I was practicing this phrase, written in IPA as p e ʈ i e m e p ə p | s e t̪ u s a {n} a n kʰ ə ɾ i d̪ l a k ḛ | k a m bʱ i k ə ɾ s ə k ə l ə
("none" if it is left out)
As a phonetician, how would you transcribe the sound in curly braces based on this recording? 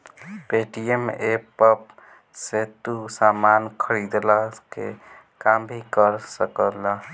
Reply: m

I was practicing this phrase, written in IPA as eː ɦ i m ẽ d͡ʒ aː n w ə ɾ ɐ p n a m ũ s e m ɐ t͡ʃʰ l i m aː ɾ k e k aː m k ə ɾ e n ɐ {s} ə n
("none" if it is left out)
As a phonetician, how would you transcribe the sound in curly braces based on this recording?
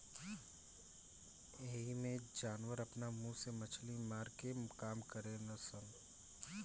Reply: s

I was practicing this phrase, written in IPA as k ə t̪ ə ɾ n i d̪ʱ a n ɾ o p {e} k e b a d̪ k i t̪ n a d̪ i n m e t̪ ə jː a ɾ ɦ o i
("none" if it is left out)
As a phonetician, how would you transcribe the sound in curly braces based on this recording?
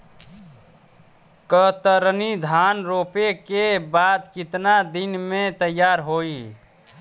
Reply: e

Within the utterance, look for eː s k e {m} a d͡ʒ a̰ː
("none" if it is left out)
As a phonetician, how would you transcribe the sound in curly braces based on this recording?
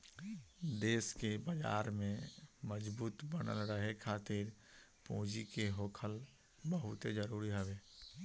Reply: b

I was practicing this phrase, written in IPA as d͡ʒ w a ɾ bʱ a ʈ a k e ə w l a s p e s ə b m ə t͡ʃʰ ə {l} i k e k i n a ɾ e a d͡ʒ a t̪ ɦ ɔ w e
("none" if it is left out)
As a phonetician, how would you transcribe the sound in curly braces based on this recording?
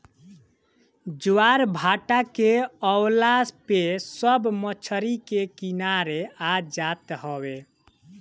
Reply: ɾ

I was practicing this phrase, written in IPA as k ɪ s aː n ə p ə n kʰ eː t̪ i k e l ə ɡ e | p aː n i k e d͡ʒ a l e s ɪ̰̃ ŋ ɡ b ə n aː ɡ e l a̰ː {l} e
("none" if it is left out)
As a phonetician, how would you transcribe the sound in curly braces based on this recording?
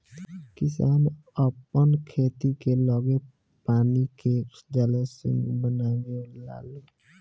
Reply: l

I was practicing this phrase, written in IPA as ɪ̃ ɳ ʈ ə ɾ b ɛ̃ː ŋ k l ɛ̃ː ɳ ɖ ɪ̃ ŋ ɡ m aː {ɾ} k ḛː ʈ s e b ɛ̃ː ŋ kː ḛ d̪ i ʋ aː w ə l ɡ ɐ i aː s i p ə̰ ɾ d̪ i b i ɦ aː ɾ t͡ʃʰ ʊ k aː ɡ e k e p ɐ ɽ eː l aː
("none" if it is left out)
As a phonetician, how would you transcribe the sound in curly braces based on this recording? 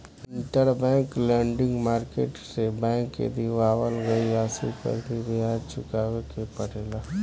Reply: ɾ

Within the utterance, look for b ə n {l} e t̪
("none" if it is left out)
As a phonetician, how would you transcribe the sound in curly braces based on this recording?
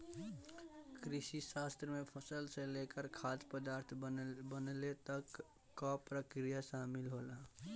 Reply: l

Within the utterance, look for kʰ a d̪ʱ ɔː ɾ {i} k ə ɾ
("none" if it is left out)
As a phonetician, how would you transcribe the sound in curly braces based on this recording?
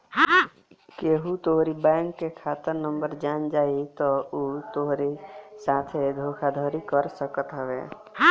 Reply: i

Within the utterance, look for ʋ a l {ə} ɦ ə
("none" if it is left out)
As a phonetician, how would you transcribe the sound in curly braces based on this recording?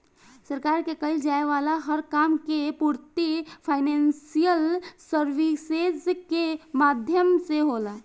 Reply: a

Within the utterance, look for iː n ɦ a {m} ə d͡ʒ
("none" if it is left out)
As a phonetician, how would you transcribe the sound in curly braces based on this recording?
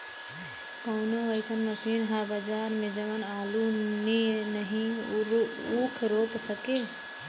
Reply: b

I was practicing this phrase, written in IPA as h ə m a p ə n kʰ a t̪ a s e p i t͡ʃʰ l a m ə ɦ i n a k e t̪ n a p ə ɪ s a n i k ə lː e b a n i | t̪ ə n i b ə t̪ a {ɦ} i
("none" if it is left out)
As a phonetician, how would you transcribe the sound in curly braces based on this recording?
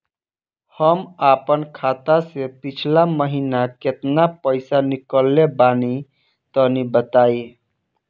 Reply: none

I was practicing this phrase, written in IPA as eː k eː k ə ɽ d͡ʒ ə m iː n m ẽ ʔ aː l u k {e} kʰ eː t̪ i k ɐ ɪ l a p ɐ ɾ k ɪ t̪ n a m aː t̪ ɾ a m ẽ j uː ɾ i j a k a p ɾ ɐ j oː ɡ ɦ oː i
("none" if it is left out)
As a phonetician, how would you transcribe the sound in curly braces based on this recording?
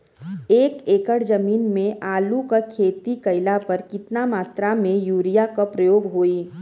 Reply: a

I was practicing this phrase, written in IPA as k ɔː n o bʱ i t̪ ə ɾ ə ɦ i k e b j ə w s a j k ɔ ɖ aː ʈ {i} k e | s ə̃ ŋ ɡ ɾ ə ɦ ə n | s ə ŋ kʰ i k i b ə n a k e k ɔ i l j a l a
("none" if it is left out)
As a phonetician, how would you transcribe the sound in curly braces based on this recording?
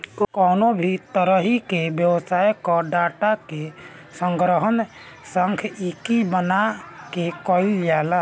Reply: a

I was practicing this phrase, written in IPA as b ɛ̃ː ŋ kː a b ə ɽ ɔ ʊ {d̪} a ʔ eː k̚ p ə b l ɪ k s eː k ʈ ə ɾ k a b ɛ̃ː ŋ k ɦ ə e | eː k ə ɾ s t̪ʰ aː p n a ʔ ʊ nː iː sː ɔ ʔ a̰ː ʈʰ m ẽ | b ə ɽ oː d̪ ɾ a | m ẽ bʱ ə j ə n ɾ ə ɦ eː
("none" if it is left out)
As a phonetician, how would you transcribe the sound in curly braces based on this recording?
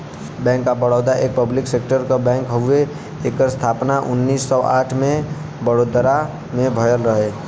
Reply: d̪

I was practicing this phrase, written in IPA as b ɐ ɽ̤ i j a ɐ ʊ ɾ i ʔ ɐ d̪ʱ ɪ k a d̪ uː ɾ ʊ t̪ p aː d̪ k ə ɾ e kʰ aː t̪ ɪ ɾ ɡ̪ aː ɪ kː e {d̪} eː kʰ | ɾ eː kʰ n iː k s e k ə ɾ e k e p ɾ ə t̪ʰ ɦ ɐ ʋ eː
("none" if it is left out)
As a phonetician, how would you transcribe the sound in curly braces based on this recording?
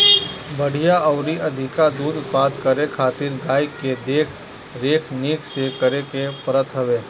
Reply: d̪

